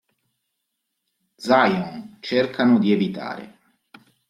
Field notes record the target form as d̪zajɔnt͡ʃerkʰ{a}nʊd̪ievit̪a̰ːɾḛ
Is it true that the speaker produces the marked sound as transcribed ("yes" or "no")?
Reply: yes